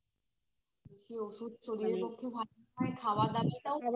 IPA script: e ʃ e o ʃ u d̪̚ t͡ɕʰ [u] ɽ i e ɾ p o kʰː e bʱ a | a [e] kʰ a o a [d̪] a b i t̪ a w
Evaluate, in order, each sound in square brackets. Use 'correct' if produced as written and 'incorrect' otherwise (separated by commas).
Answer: incorrect, correct, correct